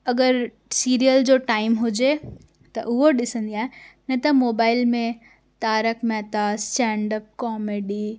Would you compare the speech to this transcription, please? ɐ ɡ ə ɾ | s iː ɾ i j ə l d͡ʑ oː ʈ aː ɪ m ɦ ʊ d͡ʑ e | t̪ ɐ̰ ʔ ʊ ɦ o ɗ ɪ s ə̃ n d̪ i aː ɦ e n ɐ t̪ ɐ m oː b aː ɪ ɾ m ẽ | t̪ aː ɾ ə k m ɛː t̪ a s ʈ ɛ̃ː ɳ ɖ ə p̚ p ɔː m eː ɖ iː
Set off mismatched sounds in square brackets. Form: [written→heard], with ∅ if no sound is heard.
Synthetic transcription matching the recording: ɐ ɡ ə ɾ | s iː ɾ i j ə l d͡ʑ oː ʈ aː ɪ m ɦ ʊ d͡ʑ e | t̪ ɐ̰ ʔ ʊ ɦ o ɗ ɪ s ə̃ n d̪ i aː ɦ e n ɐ t̪ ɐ m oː b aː ɪ [ɾ→l] m ẽ | t̪ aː ɾ ə k m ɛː t̪ a s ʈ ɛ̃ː ɳ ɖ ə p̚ [p→k] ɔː m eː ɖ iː